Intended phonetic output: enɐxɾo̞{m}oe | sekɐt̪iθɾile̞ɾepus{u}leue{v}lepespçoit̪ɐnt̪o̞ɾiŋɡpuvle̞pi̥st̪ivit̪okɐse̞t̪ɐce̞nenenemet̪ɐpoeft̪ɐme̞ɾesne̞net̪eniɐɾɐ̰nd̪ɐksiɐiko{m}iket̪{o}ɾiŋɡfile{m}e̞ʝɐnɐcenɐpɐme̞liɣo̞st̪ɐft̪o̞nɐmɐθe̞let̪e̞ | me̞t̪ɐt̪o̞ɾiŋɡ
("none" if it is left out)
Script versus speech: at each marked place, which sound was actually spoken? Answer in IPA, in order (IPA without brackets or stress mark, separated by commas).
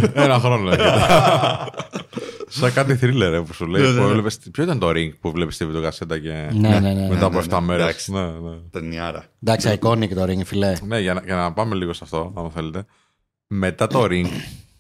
n, u, v, n, o, n